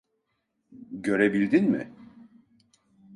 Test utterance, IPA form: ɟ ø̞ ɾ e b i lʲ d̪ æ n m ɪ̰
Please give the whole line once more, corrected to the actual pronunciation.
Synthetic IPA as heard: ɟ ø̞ ɾ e b i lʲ d̪ i n m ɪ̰